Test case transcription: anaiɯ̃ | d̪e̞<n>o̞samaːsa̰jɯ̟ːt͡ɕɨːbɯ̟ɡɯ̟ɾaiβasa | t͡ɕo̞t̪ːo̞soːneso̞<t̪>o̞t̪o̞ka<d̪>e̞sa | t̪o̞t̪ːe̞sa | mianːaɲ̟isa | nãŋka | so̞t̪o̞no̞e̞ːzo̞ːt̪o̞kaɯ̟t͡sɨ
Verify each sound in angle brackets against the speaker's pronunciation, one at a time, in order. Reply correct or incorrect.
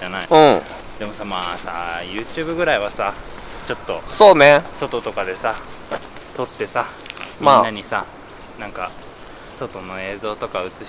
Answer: incorrect, correct, correct

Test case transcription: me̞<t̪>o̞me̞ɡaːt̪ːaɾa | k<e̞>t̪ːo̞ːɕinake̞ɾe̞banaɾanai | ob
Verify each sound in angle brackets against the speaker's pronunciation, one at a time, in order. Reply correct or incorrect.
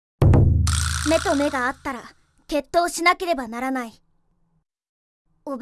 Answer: correct, correct

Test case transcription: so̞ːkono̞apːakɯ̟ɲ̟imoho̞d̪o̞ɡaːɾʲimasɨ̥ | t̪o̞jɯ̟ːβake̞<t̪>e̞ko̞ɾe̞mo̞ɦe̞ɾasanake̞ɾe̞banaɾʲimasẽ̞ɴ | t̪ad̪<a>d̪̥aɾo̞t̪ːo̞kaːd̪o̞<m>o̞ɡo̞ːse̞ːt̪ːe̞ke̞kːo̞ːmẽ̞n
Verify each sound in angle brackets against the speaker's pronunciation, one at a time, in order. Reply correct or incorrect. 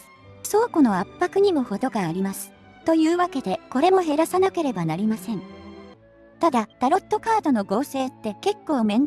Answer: incorrect, correct, incorrect

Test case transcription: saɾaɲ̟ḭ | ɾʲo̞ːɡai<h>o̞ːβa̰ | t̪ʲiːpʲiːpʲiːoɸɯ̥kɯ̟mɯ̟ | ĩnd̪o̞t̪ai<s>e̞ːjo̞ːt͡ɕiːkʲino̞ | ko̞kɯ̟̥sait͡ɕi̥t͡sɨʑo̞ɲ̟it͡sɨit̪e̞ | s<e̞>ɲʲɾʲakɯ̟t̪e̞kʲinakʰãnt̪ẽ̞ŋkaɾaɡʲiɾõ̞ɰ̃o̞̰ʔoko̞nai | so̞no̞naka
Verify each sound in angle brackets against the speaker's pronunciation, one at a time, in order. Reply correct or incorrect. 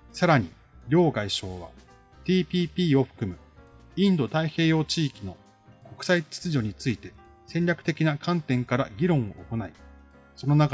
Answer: incorrect, incorrect, incorrect

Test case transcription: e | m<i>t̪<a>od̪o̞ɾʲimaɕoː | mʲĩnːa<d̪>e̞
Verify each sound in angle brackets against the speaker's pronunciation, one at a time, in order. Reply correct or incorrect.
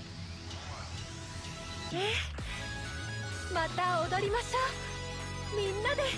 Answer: incorrect, correct, correct

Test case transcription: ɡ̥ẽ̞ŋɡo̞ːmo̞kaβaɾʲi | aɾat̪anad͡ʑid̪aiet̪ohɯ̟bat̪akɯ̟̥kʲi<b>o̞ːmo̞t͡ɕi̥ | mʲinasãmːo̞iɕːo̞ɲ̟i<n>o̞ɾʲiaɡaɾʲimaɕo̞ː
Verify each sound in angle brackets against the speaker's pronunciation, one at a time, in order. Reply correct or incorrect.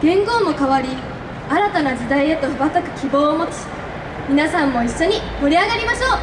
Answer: correct, incorrect

